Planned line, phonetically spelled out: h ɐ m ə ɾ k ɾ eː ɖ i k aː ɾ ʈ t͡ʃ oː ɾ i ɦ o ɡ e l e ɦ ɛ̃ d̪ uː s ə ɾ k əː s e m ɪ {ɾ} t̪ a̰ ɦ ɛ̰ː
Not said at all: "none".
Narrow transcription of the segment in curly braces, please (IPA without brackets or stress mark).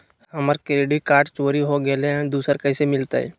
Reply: l